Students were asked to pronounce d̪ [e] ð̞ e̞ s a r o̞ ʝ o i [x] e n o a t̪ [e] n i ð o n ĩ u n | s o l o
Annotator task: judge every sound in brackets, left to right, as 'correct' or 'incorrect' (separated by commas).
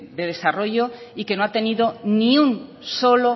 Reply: correct, incorrect, correct